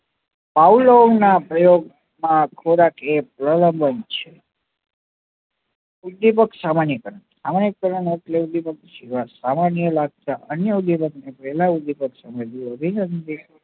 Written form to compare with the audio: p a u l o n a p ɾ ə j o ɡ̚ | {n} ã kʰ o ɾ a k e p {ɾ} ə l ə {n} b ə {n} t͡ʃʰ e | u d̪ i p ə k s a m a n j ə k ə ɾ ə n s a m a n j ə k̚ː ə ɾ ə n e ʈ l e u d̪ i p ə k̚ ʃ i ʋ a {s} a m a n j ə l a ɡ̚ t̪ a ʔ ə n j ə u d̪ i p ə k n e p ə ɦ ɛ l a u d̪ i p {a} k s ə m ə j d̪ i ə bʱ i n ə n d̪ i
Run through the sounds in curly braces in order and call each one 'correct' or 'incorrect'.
incorrect: m, correct, incorrect: m, correct, correct, incorrect: ə

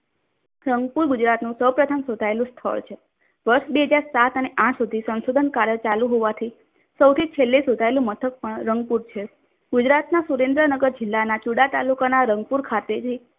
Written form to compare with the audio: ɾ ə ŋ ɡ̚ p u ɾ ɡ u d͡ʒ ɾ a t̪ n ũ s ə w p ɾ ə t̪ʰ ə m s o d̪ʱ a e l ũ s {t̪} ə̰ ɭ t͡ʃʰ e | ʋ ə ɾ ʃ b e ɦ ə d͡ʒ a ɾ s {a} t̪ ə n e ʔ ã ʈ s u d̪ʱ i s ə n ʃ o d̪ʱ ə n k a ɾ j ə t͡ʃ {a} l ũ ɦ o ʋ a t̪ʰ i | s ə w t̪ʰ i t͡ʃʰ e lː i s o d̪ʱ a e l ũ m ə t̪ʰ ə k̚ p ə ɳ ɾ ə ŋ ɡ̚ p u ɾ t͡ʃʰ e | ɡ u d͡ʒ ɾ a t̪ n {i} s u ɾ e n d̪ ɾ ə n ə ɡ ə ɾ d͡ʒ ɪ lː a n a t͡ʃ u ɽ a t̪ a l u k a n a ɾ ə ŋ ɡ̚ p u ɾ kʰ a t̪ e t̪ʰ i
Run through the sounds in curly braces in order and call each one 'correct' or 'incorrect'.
incorrect: t̪ʰ, correct, correct, incorrect: a

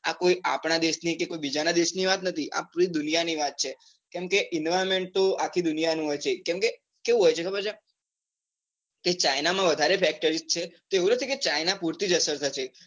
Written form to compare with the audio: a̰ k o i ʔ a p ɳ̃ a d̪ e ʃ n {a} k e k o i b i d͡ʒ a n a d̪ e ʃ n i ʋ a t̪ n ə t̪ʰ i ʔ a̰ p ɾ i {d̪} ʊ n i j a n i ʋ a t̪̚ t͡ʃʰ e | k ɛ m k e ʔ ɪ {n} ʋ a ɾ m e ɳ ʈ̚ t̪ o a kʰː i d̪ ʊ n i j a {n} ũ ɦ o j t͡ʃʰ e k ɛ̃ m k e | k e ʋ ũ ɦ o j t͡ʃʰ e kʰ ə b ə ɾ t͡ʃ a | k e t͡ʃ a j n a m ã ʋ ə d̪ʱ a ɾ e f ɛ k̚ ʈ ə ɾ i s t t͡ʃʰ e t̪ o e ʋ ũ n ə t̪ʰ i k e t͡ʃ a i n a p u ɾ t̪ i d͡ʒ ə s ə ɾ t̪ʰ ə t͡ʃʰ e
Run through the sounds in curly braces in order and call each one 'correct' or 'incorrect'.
incorrect: i, correct, correct, correct

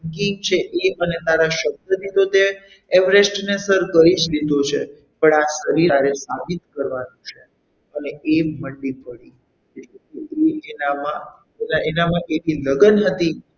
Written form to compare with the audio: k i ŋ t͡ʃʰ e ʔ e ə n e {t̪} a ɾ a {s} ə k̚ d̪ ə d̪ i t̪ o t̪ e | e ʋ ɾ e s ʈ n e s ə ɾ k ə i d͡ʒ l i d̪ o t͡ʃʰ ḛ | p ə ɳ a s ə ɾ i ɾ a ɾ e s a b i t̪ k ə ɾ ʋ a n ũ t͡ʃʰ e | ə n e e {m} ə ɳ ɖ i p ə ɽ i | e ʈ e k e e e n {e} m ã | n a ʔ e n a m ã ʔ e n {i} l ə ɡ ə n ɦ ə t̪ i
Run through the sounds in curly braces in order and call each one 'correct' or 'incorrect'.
correct, incorrect: ʃ, correct, incorrect: a, correct

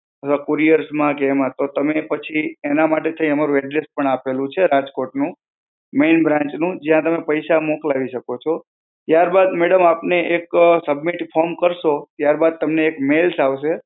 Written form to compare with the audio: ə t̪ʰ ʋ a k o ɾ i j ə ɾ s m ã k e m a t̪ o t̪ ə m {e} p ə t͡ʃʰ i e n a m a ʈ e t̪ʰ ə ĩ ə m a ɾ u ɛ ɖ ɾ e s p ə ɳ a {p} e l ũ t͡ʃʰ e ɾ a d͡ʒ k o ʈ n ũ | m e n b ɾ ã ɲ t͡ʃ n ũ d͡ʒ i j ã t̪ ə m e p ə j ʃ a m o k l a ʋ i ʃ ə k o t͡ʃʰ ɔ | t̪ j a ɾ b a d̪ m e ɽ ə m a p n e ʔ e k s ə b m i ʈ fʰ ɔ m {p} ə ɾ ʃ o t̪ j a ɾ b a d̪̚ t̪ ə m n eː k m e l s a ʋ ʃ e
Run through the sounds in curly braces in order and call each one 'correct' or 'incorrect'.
correct, correct, incorrect: k

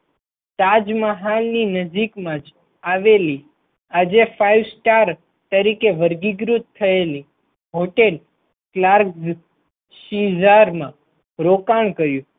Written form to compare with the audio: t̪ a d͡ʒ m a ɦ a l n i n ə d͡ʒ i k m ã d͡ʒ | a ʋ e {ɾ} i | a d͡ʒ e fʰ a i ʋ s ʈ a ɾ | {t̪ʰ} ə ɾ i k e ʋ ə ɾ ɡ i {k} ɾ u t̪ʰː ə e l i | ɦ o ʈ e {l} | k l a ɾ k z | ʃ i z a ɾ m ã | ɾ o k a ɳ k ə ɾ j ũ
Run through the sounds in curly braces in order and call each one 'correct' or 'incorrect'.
incorrect: l, incorrect: t̪, incorrect: ɡ, correct

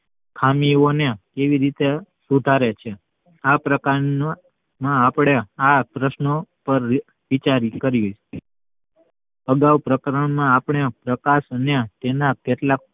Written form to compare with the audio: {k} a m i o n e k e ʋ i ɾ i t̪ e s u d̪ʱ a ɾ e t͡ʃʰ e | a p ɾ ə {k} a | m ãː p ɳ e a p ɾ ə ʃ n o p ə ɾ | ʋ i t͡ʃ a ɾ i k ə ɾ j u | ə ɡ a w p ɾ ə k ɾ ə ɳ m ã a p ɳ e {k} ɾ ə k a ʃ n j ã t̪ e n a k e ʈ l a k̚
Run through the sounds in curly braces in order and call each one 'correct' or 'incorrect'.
incorrect: kʰ, correct, incorrect: p

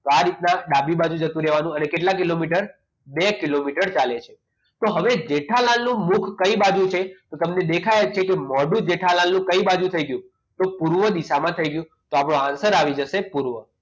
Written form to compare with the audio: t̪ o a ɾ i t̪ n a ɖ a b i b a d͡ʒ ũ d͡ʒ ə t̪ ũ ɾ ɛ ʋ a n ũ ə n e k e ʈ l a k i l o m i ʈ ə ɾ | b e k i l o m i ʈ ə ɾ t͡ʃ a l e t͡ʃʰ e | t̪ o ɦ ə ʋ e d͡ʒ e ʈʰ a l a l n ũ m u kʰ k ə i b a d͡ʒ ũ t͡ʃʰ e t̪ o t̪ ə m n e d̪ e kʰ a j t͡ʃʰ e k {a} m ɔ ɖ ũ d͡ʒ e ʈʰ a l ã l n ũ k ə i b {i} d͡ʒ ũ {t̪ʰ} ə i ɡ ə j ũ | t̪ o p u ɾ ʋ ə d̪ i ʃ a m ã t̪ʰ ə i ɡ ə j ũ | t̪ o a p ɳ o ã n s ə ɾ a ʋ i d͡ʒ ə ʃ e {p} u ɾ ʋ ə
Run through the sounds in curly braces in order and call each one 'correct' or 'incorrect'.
incorrect: e, incorrect: a, correct, correct

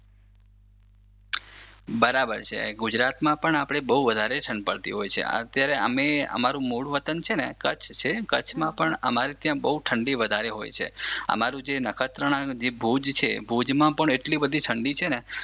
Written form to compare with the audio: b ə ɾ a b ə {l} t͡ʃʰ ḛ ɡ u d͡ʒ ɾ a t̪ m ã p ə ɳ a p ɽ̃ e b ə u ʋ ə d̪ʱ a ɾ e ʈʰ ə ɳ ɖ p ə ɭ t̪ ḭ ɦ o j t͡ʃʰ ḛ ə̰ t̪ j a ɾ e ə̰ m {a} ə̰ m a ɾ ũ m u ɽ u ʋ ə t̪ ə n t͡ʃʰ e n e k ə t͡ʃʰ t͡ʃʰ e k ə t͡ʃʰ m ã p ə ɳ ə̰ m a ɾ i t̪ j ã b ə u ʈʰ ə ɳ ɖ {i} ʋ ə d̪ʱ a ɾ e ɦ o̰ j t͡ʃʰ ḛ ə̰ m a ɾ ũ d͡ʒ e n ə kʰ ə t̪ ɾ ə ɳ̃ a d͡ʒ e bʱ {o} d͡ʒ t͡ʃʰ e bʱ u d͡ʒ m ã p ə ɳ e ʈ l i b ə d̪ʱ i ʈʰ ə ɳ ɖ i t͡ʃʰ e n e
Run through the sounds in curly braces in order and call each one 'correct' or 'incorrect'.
incorrect: ɾ, incorrect: e, correct, incorrect: u

